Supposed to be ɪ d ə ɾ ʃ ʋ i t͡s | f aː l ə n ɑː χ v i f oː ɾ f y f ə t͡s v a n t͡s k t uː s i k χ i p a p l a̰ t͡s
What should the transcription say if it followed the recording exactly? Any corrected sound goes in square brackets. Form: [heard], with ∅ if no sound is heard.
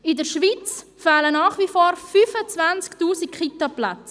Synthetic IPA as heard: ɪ d ə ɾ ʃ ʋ i t͡s | f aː l ə n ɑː χ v i f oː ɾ f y f ə t͡s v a n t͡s k t uː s i k χ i [t] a p l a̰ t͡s